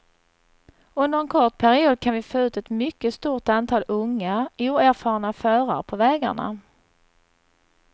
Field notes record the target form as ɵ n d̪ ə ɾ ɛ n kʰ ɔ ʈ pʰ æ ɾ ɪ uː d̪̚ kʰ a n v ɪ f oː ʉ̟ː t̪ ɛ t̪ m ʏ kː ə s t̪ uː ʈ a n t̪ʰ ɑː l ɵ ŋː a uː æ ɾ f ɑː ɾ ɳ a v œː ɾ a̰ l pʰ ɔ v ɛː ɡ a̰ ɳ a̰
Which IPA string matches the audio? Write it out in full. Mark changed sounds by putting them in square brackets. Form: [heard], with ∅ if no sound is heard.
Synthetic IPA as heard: ɵ n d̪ ə ɾ ɛ n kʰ ɔ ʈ pʰ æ ɾ ɪ uː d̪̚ kʰ a n v ɪ f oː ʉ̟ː t̪ ɛ t̪ m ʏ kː ə s t̪ uː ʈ a n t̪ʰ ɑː l ɵ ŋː a uː æ ɾ f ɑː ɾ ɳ a [f] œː ɾ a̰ [ɾ] pʰ ɔ v ɛː ɡ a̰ ɳ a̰